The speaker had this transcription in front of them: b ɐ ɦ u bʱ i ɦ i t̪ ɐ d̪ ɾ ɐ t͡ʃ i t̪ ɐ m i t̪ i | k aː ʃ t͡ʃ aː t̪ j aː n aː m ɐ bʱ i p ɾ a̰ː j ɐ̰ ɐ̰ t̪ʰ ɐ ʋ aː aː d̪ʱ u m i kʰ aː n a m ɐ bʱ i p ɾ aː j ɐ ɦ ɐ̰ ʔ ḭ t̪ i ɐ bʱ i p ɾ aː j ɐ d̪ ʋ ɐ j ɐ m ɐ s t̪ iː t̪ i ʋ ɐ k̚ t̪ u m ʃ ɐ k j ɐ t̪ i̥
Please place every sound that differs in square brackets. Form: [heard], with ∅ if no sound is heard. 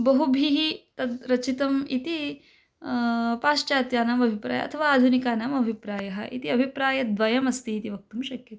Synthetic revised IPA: b ɐ ɦ u bʱ i ɦ i t̪ ɐ d̪ ɾ ɐ t͡ʃ i t̪ ɐ m i t̪ i | [p] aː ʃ t͡ʃ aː t̪ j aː n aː m ɐ bʱ i p ɾ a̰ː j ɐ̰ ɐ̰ t̪ʰ ɐ ʋ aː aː d̪ʱ u [n] i [k] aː n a m ɐ bʱ i p ɾ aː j ɐ ɦ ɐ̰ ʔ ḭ t̪ i ɐ bʱ i p ɾ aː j ɐ d̪ ʋ ɐ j ɐ m ɐ s t̪ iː t̪ i ʋ ɐ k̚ t̪ u m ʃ ɐ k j ɐ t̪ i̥